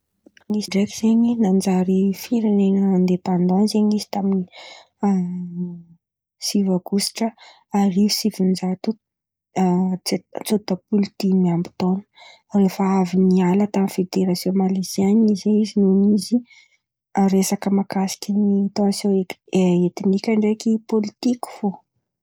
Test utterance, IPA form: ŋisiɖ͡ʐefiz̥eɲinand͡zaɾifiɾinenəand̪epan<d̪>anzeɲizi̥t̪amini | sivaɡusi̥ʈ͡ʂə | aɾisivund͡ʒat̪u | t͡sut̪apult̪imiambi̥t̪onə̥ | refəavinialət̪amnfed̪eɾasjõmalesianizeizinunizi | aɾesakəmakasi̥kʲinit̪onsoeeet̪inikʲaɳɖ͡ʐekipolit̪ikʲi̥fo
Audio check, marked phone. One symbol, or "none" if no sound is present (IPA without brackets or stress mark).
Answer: d̪